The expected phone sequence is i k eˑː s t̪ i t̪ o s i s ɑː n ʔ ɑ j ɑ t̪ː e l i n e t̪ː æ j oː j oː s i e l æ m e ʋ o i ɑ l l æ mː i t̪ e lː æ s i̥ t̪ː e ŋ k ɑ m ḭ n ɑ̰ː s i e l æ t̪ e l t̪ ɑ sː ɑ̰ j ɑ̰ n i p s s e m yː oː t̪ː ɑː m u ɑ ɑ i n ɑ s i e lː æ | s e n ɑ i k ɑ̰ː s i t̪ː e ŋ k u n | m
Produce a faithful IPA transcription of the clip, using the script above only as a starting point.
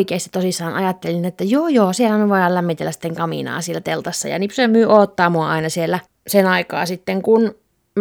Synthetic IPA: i k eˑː s t̪ i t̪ o s i sː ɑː n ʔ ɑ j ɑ t̪ː e l i n e t̪ː æ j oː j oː s i e l æ m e ʋ o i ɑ l l æ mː i t̪ e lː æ s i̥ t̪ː e ŋ k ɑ m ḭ n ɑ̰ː s i e l æ t̪ e l t̪ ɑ sː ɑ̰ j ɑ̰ n i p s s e m yː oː t̪ː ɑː m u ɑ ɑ i n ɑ s i e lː æ | s e n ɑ i k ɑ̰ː s i t̪ː e ŋ k u n | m